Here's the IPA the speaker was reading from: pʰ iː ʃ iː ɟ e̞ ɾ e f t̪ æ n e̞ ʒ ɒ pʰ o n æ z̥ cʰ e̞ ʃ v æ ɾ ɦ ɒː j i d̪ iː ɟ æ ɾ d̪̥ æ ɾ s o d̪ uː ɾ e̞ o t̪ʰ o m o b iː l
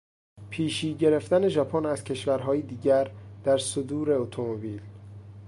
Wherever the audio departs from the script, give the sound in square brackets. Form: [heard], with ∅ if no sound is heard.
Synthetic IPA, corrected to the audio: pʰ iː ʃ iː ɟ e̞ ɾ e f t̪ æ n e̞ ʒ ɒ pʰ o n æ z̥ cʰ e̞ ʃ v æ ɾ ɦ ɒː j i d̪ iː ɟ æ ɾ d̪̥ æ ɾ s o d̪ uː ɾ e̞ o t̪ʰ o m o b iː l

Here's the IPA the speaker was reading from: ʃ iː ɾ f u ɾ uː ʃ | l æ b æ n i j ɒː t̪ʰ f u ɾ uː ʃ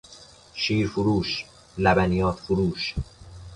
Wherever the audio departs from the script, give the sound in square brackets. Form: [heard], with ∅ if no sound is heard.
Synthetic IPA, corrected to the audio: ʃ iː ɾ f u ɾ uː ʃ | l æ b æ n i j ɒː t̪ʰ f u ɾ uː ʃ

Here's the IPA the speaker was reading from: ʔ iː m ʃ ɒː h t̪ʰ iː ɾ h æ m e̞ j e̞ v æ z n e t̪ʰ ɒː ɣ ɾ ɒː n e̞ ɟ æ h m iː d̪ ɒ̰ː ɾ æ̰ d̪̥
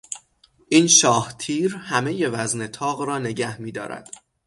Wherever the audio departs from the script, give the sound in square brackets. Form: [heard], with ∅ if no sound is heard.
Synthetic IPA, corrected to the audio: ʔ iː [n] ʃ ɒː h t̪ʰ iː ɾ h æ m e̞ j e̞ v æ z n e t̪ʰ ɒː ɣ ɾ ɒː n e̞ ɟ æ h m iː d̪ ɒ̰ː ɾ æ̰ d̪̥

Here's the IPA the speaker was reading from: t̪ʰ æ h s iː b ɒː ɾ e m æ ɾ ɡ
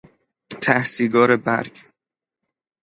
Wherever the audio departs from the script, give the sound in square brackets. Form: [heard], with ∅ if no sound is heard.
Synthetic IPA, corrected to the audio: t̪ʰ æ h s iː [ɡ] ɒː ɾ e [b] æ ɾ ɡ

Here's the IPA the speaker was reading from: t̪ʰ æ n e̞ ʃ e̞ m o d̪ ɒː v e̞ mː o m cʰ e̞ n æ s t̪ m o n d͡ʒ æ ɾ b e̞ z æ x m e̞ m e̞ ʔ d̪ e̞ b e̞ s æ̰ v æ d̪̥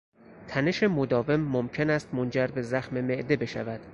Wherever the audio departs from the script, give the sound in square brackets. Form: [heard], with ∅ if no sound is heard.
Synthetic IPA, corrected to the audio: t̪ʰ æ n e̞ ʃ e̞ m o d̪ ɒː v e̞ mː o m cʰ e̞ n æ s t̪ m o n d͡ʒ æ ɾ b e̞ z æ x m e̞ m e̞ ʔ d̪ e̞ b e̞ [ʃ] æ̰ v æ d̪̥

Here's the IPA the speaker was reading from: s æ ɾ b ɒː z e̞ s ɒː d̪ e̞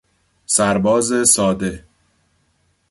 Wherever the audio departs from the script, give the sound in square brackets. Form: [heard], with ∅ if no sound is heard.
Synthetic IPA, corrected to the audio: s æ ɾ b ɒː z e̞ s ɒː d̪ e̞

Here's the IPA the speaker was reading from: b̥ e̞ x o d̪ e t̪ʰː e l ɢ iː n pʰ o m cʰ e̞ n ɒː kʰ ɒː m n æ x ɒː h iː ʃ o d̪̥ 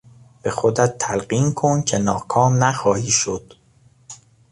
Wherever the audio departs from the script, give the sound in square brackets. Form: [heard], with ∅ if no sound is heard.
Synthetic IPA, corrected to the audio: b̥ e̞ x o d̪ [æ] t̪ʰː [æ] l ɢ iː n [kʰ] o [n] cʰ e̞ n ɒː kʰ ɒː m n æ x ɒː h iː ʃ o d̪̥

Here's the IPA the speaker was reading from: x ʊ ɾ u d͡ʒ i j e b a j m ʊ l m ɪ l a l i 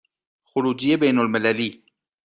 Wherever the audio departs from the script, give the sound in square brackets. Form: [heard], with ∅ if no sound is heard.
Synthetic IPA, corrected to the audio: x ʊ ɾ u d͡ʒ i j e b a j [n] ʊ l m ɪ l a l i

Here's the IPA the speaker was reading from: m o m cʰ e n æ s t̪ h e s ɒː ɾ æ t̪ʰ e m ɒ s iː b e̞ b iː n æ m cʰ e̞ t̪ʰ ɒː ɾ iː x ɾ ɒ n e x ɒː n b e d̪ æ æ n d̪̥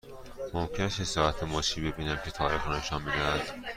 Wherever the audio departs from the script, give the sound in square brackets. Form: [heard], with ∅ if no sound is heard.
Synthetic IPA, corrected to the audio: m o m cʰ e n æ s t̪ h e s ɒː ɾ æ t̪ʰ e m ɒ [ʃ] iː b e̞ b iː n æ m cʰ e̞ t̪ʰ ɒː ɾ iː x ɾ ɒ n e [ʃ] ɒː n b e d̪ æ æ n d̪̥

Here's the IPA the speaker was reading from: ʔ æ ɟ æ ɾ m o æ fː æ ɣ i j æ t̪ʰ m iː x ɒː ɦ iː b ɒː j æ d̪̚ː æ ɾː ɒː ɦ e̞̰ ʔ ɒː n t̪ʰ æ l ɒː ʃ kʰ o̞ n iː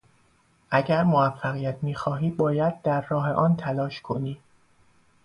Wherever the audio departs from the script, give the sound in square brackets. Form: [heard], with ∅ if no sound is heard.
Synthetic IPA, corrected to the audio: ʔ æ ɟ æ ɾ m o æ fː æ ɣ i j æ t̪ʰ m iː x ɒː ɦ iː b ɒː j æ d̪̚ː æ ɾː ɒː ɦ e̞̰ ʔ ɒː n t̪ʰ æ l ɒː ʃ kʰ o̞ n iː

